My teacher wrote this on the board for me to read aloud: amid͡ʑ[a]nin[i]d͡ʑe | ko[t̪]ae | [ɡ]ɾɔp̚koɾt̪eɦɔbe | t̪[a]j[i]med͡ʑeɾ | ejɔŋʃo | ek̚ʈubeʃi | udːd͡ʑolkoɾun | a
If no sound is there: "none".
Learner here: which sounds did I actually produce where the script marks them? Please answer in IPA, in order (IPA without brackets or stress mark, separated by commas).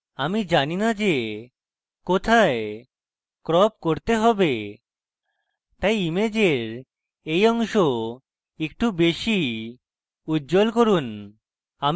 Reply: a, a, t̪ʰ, k, a, i